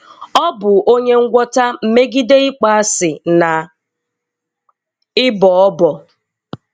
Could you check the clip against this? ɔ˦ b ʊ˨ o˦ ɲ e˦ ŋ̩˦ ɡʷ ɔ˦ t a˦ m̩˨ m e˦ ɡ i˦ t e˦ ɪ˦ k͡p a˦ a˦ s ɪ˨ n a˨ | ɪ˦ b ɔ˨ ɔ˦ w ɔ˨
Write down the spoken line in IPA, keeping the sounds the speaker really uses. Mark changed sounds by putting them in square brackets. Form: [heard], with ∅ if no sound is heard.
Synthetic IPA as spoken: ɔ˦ b ʊ˨ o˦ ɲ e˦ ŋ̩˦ ɡʷ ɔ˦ t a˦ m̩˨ m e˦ ɡ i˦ [d] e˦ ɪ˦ k͡p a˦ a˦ s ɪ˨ n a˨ | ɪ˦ b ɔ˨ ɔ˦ [b] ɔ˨